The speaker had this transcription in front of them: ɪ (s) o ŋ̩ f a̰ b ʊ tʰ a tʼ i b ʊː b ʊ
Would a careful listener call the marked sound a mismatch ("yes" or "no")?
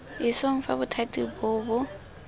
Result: no